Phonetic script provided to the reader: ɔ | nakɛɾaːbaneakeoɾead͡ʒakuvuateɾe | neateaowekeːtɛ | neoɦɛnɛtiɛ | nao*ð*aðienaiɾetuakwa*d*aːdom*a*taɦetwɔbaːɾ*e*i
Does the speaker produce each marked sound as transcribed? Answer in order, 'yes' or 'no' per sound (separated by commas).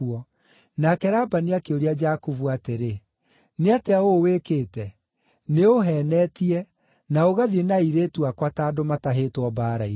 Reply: no, no, yes, no